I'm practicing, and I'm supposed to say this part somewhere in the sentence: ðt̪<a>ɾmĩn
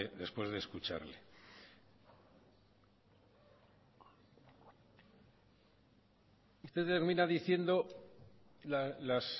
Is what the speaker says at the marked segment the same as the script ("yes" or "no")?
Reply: no